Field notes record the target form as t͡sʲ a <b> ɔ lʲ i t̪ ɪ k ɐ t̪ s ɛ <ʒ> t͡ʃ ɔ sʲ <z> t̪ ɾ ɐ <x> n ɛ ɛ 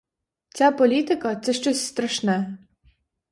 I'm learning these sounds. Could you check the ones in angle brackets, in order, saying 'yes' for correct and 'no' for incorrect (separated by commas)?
no, no, no, no